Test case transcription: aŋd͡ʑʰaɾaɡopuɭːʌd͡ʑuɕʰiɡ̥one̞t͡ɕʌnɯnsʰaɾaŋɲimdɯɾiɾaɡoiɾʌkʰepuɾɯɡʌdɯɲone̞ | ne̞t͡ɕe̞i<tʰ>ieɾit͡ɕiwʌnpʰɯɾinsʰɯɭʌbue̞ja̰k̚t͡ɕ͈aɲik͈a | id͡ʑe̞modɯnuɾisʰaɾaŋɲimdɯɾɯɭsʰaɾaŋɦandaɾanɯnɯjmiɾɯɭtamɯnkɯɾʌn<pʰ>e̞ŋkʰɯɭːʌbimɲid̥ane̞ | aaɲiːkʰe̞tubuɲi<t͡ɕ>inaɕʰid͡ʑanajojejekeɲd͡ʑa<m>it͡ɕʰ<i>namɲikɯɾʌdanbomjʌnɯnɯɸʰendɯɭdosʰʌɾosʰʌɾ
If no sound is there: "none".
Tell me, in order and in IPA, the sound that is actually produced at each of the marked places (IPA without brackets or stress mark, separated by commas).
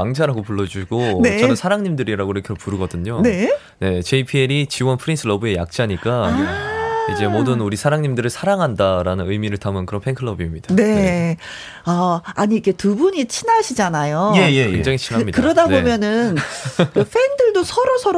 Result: pʰ, pʰ, t͡ɕʰ, ŋ, i